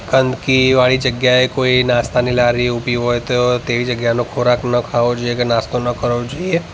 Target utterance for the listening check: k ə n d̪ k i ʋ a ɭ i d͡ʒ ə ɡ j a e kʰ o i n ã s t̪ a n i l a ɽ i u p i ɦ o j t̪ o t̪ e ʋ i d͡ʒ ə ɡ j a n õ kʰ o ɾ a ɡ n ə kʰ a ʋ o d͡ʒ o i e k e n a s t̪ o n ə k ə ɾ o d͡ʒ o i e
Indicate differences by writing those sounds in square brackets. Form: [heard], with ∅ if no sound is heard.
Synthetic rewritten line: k ə n d̪ k i ʋ a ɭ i d͡ʒ ə ɡ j a e [k] o i n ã s t̪ a n i l a [ɾ] i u p i ɦ o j t̪ o t̪ e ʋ i d͡ʒ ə ɡ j a n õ kʰ o ɾ a [k] n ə kʰ a ʋ o d͡ʒ o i e k e n a s t̪ o n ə k ə ɾ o d͡ʒ o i e